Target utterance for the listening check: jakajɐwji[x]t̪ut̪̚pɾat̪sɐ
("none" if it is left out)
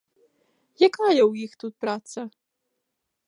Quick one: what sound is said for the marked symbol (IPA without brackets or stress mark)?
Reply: x